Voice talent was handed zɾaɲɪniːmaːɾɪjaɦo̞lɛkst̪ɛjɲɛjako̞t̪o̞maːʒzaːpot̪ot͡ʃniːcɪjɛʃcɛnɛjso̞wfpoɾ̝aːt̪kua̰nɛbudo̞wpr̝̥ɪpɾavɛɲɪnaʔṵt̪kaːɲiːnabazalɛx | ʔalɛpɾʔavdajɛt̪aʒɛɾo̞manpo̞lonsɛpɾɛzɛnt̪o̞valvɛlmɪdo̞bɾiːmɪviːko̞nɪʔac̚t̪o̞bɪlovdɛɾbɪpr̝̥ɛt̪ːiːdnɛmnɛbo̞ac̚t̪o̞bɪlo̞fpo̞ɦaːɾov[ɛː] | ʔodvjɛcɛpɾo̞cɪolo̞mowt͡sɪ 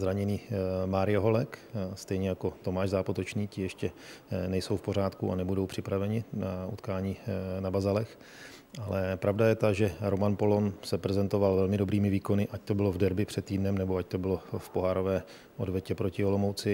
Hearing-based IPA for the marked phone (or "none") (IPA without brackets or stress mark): ɛː